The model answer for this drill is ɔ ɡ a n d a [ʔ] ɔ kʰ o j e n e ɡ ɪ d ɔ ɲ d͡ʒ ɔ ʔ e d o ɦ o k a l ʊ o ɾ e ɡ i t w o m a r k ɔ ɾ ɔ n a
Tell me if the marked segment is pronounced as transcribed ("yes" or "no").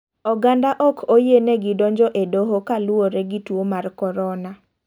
yes